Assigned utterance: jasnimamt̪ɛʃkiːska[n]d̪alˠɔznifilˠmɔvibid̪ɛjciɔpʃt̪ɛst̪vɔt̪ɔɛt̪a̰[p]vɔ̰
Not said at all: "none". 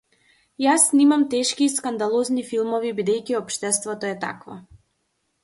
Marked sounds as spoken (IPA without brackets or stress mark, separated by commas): n, k